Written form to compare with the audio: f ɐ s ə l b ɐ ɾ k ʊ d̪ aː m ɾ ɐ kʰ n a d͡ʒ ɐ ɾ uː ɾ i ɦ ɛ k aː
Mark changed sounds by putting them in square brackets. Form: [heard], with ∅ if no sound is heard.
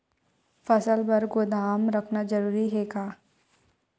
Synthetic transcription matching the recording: f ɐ s ə l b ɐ ɾ [ɡ] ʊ d̪ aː m ɾ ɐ kʰ n a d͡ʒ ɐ ɾ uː ɾ i ɦ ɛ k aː